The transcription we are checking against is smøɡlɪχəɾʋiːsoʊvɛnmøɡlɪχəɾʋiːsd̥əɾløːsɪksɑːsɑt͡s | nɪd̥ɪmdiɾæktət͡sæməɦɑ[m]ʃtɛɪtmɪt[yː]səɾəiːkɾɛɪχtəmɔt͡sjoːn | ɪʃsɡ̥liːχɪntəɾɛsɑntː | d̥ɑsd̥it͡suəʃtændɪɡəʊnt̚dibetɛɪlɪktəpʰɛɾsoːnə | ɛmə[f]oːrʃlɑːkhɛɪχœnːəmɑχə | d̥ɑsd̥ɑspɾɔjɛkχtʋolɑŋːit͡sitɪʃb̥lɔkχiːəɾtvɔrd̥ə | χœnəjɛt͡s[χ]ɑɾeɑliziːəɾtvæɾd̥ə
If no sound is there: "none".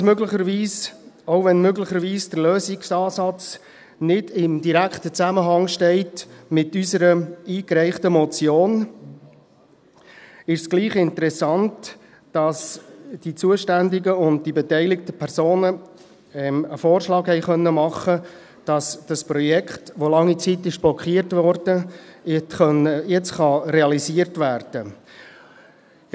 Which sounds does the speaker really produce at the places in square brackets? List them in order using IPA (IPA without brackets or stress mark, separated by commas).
ŋ, y, f, χ